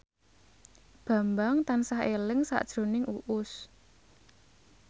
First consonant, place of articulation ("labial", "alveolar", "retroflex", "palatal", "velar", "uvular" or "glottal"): labial